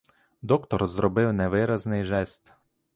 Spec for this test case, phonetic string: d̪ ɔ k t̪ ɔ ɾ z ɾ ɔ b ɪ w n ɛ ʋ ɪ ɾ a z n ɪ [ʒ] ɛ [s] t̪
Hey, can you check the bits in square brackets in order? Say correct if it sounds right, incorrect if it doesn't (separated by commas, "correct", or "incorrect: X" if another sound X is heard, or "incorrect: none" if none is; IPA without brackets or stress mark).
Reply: correct, correct